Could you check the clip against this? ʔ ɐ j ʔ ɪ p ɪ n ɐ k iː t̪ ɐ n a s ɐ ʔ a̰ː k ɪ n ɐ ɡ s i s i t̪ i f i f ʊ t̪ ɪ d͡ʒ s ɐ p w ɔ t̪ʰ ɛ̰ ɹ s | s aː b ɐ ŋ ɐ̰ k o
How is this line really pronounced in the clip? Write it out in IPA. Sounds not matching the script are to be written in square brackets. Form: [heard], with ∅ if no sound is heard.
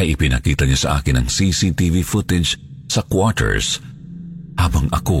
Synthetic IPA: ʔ ɐ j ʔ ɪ p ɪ n ɐ k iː t̪ ɐ [ɲ] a s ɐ ʔ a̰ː k ɪ n ɐ [ŋ] s i s i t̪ i [v] i f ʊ t̪ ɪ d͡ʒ s ɐ [k] w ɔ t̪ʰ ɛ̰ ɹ s | [h] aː b ɐ ŋ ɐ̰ k o